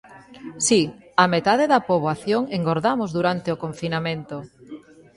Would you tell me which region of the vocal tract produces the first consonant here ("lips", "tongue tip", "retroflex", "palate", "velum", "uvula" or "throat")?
tongue tip